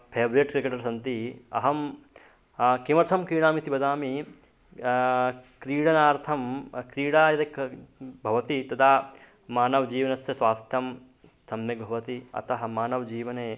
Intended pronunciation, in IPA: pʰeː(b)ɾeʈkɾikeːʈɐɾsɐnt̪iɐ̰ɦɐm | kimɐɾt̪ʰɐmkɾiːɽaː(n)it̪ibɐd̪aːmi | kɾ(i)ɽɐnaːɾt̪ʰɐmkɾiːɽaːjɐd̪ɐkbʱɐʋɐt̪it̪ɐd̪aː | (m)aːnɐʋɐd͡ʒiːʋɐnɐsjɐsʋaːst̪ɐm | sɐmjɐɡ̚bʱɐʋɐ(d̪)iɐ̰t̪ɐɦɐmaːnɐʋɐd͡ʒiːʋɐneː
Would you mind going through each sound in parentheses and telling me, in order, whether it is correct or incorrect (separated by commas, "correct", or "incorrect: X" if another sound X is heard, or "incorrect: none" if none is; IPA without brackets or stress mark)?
correct, incorrect: m, incorrect: iː, correct, incorrect: t̪